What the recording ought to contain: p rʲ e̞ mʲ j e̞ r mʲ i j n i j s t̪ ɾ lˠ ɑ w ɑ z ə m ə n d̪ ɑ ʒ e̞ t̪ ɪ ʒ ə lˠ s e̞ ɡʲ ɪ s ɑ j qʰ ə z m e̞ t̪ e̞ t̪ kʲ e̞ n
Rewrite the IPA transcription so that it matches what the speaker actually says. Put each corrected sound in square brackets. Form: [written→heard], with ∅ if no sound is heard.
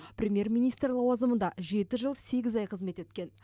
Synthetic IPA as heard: p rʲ e̞ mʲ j e̞ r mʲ i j n i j s t̪ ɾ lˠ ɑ w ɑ z ə m ə n d̪ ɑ ʒ e̞ t̪ ɪ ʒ ə lˠ s e̞ ɡʲ ɪ [s→z] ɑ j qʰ ə z m e̞ t̪ e̞ t̪ kʲ e̞ n